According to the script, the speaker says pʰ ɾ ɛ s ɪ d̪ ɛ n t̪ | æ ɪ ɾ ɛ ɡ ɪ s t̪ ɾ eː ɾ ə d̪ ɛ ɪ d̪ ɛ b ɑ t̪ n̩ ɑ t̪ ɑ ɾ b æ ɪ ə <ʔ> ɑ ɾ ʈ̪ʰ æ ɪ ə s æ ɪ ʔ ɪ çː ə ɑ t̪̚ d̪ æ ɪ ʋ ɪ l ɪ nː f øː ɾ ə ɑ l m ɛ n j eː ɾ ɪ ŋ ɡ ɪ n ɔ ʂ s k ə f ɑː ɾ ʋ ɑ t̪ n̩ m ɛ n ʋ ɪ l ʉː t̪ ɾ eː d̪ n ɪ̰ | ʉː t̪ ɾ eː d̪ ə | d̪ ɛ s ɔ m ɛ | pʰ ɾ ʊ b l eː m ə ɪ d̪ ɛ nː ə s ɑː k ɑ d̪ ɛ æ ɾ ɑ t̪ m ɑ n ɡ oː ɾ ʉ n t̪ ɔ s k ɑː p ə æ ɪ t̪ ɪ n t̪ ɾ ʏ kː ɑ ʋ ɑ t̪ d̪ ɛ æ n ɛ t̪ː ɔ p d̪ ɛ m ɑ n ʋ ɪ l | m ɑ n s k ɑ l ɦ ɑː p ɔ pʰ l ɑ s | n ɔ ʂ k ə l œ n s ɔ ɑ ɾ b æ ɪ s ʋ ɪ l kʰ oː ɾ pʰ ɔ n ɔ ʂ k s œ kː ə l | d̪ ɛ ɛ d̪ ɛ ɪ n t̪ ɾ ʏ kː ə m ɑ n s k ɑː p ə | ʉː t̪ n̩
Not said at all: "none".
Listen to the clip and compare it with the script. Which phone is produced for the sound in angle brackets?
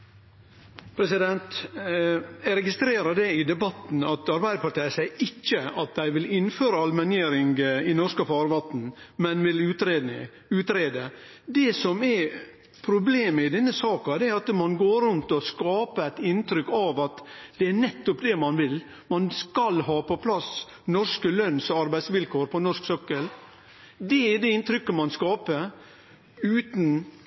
p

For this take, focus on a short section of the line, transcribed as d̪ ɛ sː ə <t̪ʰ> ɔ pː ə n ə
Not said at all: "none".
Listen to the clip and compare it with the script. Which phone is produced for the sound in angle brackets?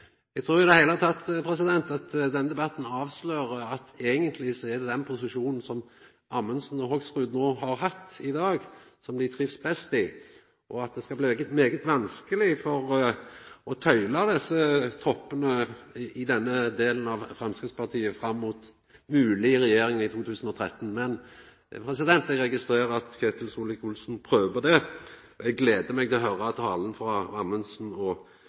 t̪ʰ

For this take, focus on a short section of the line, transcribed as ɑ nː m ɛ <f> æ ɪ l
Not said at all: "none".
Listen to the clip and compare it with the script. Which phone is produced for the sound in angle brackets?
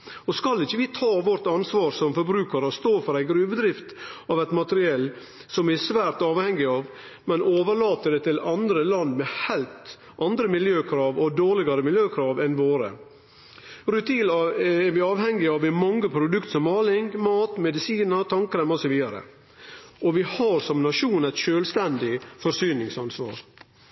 h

